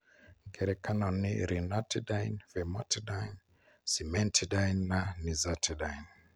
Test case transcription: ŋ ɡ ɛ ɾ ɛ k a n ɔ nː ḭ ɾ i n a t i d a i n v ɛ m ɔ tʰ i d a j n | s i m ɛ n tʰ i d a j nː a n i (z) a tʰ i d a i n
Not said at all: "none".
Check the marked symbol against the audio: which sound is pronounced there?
z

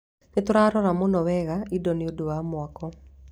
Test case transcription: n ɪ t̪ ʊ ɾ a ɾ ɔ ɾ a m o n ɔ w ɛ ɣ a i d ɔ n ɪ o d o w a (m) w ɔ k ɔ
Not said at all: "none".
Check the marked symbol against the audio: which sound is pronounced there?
m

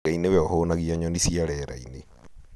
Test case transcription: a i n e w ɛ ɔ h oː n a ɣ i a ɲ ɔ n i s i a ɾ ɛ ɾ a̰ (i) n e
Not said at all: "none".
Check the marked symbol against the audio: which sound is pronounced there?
i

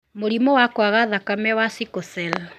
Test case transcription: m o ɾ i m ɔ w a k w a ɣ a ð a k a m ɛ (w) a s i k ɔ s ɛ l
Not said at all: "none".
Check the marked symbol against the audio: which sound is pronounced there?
w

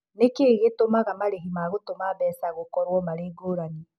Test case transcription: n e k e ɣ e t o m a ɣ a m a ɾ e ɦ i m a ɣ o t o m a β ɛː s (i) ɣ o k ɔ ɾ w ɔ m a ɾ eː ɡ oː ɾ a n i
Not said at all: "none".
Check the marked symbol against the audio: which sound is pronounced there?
a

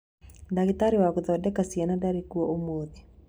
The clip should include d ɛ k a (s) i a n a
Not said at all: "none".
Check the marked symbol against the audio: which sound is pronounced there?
s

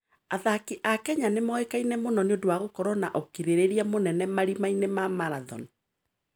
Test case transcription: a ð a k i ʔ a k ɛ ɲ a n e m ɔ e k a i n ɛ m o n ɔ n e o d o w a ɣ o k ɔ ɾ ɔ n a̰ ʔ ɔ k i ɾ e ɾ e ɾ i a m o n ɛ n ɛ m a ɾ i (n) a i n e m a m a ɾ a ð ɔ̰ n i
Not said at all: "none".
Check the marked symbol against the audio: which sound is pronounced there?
m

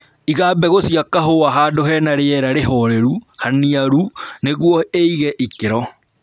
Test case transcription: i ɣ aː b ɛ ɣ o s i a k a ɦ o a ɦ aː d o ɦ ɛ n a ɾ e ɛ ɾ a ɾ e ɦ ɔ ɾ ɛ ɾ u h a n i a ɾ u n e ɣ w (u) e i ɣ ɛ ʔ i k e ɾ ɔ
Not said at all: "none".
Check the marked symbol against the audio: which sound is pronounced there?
ɔ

